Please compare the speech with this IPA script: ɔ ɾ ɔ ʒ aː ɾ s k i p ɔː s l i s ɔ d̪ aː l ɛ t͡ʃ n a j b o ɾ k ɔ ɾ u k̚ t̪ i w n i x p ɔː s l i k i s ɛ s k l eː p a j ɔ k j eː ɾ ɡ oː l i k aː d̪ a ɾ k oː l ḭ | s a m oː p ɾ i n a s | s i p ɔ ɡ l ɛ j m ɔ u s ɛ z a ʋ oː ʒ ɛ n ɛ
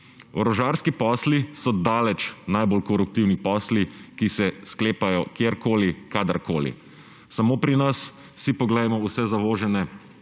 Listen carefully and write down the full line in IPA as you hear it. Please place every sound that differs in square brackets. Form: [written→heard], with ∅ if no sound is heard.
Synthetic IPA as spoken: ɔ ɾ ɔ ʒ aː ɾ s k i p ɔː s l i s ɔ d̪ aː l ɛ t͡ʃ n a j b o [ɾ→l] k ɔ ɾ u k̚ t̪ i w n i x p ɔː s l i k i s ɛ s k l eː p a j ɔ k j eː ɾ [ɡ→k] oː l i k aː d̪ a ɾ k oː l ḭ | s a m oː p ɾ i n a s | s i p ɔ ɡ l ɛ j m ɔ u s ɛ z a ʋ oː ʒ ɛ n ɛ